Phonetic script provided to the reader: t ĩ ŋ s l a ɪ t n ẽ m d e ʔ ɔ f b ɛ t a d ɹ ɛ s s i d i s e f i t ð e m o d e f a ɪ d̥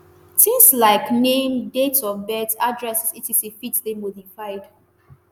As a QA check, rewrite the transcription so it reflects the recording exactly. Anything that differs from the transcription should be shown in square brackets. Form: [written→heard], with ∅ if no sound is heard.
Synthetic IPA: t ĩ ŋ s l a ɪ [t→k] n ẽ m d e [ʔ→t] ɔ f b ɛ t a d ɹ ɛ s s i [d→t] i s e f i t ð e m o d [e→i] f a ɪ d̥

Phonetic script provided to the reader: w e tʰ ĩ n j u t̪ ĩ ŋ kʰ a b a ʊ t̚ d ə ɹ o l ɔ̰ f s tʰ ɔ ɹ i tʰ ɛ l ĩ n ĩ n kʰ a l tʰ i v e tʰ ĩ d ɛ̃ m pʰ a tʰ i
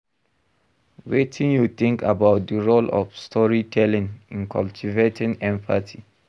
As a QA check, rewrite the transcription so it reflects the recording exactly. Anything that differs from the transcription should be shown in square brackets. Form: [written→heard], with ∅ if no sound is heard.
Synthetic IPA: w e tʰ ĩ n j u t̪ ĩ ŋ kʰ a b a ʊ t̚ d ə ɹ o l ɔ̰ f s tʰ ɔ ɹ i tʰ ɛ l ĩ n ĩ n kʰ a l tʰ i v e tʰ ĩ [d→n] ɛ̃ m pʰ a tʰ i

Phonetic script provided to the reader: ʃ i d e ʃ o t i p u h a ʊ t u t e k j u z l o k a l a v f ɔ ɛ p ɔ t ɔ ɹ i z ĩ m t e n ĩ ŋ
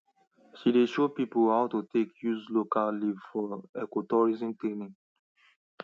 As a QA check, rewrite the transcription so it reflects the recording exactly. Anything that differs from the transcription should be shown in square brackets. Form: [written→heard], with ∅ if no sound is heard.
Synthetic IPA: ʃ i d e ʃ o [t→p] i p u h a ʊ t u t e k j u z l o k a l [a→i] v f ɔ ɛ [p→k] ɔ t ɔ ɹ i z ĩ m t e n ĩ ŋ

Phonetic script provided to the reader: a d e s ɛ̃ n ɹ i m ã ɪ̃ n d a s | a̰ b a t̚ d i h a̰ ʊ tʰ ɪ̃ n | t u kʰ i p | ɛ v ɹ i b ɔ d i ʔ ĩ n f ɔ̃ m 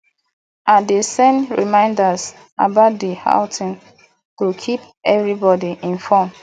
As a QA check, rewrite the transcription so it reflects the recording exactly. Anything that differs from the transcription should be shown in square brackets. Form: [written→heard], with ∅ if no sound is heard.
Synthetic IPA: a d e s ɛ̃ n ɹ i m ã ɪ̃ n d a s | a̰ b a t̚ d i h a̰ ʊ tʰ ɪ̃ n | t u kʰ i p | ɛ v ɹ i b ɔ d i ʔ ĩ n f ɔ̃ m

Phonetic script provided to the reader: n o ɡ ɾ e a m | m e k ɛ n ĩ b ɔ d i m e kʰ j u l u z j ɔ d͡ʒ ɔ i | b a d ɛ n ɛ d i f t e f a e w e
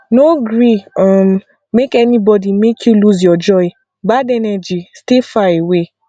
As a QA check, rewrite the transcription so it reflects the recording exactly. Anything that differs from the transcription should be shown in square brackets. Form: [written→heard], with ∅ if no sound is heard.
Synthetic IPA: n o ɡ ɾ [e→i] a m | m e k ɛ n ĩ b ɔ d i m e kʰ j u l u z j ɔ d͡ʒ ɔ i | b a d ɛ n ɛ [d→d͡ʒ] i [f→s] t e f a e w e

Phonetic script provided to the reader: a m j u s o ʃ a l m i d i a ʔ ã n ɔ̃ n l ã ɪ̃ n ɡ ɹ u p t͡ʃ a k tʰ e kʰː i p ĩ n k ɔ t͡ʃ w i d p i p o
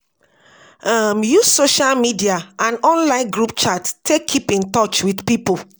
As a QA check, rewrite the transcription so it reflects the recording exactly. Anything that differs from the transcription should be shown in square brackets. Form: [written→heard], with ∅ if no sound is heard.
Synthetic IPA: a m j u s o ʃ a l m i d i a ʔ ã n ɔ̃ n l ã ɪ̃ n ɡ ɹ u p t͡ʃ a [k→t] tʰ e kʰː i p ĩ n [k→t] ɔ t͡ʃ w i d p i p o

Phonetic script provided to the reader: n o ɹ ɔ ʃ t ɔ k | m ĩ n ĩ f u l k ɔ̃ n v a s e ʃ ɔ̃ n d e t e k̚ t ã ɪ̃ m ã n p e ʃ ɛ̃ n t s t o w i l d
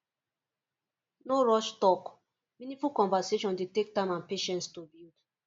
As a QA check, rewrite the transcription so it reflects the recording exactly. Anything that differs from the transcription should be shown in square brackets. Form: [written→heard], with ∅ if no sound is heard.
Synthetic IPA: n o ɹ ɔ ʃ t ɔ k | m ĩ n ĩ f u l k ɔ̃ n v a s e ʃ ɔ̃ n d e t e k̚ t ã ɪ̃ m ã n p e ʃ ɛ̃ n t s t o [w→b] i l d

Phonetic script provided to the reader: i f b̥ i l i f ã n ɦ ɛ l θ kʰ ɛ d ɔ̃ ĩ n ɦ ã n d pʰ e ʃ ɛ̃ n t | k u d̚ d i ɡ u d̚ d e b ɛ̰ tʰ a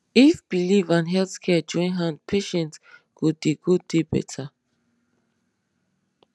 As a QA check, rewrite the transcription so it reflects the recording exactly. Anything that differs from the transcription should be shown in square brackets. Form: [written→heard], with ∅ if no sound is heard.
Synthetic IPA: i f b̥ i l i [f→v] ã n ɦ ɛ l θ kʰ ɛ [d→d͡ʒ] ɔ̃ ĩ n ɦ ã n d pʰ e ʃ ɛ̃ n t | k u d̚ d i ɡ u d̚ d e b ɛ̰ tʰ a

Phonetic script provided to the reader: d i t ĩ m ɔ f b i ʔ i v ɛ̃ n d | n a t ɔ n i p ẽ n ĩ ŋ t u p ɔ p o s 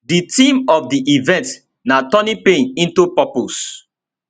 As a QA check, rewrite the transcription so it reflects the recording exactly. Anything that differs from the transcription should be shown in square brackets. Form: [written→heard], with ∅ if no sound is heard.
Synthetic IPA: d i t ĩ m ɔ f [b→d] i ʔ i v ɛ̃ n [d→t] | n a t ɔ n i p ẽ n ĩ [ŋ→n] t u p ɔ p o s

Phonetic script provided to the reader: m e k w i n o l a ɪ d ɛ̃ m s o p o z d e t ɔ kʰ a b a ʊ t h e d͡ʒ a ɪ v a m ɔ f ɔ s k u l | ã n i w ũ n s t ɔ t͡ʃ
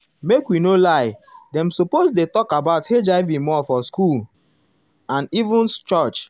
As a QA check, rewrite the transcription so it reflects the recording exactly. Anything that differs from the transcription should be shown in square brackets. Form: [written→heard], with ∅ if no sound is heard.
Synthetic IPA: m e k w i n o l a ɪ d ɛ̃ m s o p o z d e t ɔ [kʰ→k] a b a ʊ t h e d͡ʒ a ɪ v [a→i] m ɔ f ɔ s k u l | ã n i [w→v] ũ n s [t→t͡ʃ] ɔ t͡ʃ

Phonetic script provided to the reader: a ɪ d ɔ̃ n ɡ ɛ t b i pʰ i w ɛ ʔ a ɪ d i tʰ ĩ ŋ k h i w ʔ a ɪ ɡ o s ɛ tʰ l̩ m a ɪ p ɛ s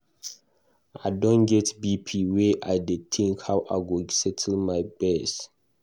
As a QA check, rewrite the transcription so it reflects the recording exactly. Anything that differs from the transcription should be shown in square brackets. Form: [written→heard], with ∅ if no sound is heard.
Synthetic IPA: a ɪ d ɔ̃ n ɡ ɛ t b i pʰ i w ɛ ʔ a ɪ d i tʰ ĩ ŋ k h [i→a] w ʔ a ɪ ɡ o s ɛ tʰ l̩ m a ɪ [p→b] ɛ s

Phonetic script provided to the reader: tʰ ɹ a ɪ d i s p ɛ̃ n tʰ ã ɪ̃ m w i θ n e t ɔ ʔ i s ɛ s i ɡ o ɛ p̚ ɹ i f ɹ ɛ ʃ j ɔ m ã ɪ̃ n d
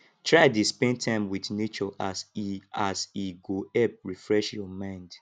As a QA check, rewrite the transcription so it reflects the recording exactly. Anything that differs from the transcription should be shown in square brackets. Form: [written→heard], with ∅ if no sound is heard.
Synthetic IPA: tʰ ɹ a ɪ d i s p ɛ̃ n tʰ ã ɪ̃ m w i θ n e [t→t͡ʃ] ɔ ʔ [i→a] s [ɛ→a] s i ɡ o ɛ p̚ ɹ i f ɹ ɛ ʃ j ɔ m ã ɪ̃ n d

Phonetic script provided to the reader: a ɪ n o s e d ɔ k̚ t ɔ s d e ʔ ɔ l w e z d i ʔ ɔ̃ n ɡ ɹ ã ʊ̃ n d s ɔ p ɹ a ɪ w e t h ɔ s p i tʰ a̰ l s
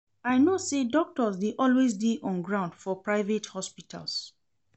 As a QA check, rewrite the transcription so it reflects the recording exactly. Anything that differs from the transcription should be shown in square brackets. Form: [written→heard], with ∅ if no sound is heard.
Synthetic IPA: a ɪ n o s e d ɔ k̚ t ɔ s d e ʔ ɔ l w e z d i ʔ ɔ̃ n ɡ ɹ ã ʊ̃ n d [s→f] ɔ p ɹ a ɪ [w→v] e t h ɔ s p i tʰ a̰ l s

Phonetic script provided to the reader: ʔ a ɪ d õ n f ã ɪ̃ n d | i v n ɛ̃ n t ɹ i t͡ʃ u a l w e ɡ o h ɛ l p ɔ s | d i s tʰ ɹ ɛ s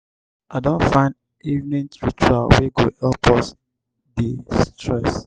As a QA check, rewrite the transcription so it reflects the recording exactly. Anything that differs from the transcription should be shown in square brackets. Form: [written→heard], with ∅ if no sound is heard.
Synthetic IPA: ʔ a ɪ d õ n f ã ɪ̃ n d | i v n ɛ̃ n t ɹ i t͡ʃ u a l w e ɡ o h ɛ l p ɔ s | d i s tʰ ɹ ɛ s

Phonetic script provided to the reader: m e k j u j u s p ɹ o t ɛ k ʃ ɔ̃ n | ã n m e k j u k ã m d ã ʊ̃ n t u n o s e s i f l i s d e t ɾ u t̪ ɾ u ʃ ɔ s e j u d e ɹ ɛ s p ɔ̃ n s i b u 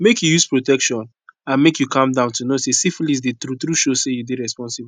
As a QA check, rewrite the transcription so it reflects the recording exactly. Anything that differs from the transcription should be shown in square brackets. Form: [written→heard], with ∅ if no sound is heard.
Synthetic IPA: m e k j u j u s p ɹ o t ɛ k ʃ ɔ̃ n | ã n m e k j u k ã m d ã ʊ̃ n t u n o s e s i f l i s d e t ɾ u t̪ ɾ u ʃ [ɔ→o] s e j u d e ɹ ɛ s p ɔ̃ n s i b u

